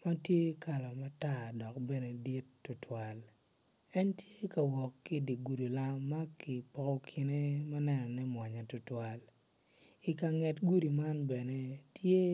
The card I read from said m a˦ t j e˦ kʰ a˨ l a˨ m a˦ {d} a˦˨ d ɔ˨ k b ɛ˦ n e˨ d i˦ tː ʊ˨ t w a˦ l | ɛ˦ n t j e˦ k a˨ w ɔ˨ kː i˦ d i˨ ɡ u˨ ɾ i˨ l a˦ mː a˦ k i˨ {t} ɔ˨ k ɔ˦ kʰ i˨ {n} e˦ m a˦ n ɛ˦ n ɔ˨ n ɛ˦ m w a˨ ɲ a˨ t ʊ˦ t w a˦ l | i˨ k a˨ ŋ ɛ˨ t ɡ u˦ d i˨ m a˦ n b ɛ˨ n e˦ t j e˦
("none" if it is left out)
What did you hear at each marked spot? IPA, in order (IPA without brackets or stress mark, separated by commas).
t, p, n